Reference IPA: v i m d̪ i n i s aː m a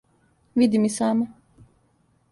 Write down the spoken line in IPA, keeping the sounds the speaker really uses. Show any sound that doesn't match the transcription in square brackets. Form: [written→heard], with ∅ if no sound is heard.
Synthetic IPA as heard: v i [m→∅] d̪ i [n→m] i s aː m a